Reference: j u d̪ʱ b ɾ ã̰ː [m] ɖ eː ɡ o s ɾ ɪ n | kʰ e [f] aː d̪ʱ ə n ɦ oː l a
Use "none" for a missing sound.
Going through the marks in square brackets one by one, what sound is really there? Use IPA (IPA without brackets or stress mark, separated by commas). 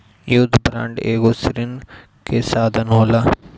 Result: ɳ, s